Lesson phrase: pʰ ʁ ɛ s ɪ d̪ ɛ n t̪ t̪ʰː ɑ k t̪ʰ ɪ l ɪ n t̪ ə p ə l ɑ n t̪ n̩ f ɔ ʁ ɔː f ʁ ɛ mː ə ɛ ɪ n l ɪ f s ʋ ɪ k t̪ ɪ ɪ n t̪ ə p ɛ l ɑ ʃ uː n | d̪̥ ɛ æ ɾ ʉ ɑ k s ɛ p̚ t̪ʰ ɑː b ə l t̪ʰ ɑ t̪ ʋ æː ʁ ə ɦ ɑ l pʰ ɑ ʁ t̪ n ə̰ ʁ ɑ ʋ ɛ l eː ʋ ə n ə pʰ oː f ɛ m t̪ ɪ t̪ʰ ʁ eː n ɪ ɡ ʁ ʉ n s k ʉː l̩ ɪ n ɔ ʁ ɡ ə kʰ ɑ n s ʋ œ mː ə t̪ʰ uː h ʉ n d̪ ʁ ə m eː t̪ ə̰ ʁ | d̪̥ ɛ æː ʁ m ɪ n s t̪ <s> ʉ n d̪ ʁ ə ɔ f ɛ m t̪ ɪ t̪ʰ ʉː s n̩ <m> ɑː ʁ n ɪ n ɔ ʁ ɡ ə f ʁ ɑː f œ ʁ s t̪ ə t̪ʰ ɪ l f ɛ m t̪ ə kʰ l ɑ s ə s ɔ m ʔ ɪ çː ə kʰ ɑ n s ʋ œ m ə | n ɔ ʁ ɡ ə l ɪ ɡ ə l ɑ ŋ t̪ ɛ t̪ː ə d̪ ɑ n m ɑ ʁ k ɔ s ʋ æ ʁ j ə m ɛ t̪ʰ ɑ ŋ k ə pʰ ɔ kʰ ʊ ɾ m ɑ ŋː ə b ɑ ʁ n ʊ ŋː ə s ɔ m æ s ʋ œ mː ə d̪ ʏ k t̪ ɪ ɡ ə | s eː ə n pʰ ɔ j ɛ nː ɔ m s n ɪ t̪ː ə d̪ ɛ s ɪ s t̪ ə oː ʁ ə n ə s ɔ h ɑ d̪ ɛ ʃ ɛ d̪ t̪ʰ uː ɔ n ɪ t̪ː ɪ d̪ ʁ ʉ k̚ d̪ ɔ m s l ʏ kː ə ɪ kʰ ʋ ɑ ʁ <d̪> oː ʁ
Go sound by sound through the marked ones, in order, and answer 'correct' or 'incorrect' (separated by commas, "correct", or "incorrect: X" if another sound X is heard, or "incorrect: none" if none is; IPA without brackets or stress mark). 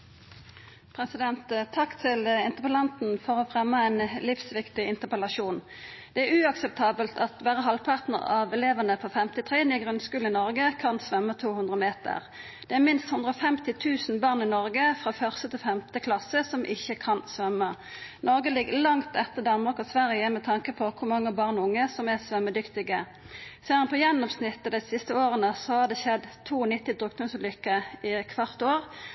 incorrect: h, incorrect: b, incorrect: t̪